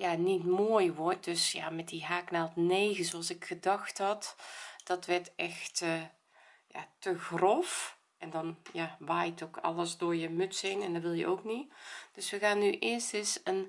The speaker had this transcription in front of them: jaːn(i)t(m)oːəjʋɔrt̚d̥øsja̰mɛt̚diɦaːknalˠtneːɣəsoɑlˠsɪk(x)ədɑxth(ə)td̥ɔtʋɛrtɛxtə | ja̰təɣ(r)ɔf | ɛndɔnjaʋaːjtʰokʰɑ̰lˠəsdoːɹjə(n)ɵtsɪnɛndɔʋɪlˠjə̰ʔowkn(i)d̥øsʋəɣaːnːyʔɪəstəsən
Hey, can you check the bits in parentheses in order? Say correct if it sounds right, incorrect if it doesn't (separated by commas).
correct, correct, correct, incorrect, correct, incorrect, correct